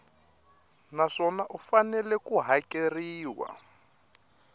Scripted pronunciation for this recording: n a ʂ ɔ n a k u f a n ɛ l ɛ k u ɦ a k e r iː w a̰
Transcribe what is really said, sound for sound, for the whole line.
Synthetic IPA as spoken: n a ʂ ɔ n a ʔ u f a n ɛ l ɛ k u ɦ a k e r iː w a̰